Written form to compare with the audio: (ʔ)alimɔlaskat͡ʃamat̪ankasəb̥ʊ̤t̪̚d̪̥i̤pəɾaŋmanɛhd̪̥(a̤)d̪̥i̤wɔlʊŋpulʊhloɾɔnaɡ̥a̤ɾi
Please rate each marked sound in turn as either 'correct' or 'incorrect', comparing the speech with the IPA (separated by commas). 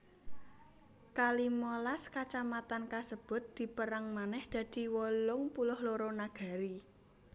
incorrect, correct